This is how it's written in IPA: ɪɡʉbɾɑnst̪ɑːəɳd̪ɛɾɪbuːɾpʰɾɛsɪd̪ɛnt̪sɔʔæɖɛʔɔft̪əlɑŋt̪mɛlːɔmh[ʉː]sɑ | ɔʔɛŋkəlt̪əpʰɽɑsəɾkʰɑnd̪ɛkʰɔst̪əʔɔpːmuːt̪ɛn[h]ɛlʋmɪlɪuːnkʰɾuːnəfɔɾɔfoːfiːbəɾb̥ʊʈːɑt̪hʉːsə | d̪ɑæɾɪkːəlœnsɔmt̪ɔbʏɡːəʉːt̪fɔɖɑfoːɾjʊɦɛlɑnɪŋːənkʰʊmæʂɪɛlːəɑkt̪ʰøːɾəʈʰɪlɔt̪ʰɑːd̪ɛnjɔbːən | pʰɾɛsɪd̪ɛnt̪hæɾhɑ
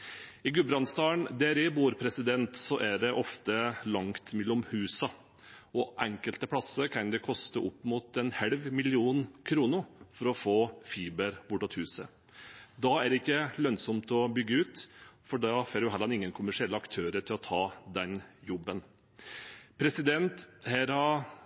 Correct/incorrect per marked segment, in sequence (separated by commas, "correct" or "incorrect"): correct, correct